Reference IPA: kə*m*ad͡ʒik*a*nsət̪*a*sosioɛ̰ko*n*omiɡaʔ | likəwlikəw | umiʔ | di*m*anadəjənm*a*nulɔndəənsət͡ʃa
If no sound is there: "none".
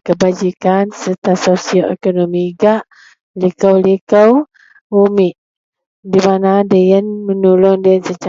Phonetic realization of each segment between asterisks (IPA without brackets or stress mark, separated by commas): b, a, a, n, m, ə